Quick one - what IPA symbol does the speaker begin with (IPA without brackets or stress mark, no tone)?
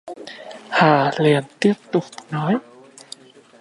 h